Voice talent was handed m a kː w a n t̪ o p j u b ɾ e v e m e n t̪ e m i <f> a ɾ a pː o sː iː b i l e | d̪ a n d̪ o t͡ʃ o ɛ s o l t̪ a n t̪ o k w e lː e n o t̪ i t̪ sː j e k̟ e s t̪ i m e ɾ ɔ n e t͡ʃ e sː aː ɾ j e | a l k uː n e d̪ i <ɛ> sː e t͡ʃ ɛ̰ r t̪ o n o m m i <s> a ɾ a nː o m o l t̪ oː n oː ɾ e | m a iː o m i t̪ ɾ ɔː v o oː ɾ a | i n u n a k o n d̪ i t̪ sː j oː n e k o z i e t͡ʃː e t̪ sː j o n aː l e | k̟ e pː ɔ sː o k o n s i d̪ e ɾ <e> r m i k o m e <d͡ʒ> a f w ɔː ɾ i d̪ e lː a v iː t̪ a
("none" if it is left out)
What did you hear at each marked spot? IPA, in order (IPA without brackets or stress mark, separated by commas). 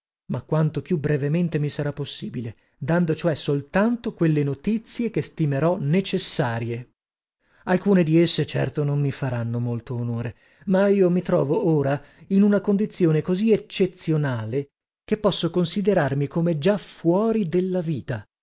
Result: s, e, f, a, d͡ʒ